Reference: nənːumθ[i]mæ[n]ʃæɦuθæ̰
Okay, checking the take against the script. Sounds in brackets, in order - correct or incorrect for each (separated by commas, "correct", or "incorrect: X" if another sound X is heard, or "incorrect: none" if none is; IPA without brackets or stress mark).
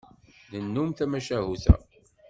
incorrect: æ, incorrect: none